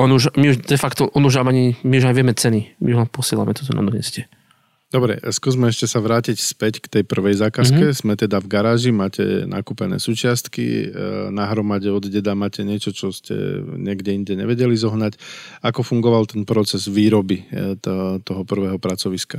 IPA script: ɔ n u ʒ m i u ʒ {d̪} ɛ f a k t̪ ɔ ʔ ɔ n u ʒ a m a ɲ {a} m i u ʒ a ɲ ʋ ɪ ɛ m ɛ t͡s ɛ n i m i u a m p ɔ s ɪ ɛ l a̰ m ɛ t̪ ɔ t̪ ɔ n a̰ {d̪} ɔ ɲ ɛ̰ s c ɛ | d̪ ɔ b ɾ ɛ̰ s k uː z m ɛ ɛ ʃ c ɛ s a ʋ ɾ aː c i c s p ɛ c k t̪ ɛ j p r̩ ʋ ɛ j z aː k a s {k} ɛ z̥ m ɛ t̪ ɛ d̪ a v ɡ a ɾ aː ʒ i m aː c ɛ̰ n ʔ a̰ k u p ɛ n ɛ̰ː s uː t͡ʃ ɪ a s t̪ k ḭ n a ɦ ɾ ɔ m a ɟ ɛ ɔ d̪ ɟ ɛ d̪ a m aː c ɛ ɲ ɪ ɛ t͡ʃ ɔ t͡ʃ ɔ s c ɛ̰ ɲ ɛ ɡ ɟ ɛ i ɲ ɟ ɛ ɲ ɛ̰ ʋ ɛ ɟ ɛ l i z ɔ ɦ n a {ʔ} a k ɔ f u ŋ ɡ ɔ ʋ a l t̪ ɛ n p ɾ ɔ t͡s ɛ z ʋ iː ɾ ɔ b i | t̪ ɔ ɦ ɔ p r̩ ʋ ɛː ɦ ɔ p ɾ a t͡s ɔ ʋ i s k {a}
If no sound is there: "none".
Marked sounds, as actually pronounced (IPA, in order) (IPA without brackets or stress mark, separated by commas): d̪, i, d̪, k, c, a